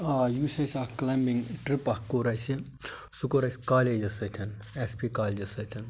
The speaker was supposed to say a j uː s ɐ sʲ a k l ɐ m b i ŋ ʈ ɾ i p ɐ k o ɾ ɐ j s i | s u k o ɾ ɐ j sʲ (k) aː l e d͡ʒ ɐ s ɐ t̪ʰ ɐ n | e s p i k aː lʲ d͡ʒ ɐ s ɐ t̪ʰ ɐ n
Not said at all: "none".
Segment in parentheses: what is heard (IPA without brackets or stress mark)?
k